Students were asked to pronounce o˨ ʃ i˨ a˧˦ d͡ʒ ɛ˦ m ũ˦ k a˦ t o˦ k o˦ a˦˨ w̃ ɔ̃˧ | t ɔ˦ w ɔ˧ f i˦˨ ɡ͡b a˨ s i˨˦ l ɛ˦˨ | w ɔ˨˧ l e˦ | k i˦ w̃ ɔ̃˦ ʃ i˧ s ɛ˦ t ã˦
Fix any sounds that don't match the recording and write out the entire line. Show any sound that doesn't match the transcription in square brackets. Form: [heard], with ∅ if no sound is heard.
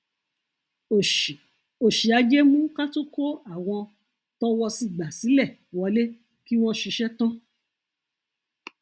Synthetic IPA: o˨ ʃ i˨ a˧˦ d͡ʒ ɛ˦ m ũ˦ k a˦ t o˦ k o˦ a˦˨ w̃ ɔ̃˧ | t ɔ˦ w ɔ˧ [s] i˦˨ ɡ͡b a˨ s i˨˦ l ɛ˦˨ | w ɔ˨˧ l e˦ | k i˦ w̃ ɔ̃˦ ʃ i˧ [ʃ] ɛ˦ t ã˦